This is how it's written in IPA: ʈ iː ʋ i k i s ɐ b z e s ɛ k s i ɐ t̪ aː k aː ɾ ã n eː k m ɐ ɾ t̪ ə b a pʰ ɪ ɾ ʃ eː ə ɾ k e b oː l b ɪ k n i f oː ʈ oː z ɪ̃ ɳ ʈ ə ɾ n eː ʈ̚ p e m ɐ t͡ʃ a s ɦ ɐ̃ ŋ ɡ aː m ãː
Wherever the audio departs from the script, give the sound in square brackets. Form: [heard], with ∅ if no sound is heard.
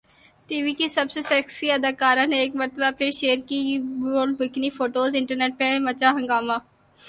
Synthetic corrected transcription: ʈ iː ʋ i k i s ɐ b [s] e s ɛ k s i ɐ [d̪] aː k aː ɾ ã n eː k m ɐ ɾ t̪ ə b a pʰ ɪ ɾ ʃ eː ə ɾ k [i] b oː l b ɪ k n i f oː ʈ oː z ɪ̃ ɳ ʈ ə ɾ n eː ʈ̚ p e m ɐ t͡ʃ a [∅] ɦ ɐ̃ ŋ ɡ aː m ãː